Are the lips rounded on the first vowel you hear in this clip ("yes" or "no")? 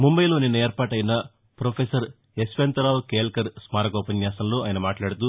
yes